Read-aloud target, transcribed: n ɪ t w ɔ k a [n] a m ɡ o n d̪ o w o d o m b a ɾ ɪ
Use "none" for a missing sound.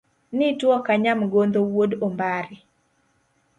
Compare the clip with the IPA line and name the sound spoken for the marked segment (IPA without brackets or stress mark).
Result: ɲ